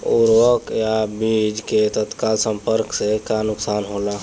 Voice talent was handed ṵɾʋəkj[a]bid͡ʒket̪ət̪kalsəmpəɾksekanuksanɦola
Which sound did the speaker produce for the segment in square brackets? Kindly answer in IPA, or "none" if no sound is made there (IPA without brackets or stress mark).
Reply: a